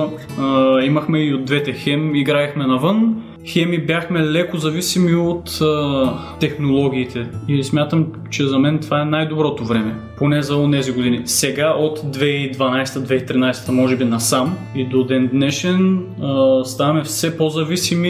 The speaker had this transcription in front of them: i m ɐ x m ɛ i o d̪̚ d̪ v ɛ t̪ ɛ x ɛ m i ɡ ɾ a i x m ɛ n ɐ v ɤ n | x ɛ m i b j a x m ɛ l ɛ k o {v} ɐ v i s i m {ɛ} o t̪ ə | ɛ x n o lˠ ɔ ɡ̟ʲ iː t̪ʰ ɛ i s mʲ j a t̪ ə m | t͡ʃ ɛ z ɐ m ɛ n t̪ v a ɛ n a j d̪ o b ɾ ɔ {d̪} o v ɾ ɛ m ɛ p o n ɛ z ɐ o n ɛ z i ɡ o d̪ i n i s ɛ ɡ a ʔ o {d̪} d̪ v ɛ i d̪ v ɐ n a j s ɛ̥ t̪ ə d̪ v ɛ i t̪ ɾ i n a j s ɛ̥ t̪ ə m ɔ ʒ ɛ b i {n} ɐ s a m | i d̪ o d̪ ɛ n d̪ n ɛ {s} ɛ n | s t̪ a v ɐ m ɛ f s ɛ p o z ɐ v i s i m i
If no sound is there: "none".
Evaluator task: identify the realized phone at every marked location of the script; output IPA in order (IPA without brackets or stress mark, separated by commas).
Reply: z, i, t̪, t̪, n, ʃ